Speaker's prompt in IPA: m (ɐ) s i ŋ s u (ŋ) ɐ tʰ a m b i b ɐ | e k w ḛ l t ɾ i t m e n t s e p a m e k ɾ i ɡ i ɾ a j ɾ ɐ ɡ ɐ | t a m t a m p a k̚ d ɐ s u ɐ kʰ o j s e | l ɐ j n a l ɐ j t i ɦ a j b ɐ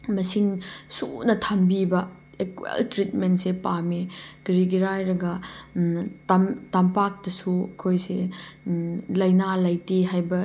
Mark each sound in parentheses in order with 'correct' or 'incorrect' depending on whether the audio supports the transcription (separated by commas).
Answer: correct, incorrect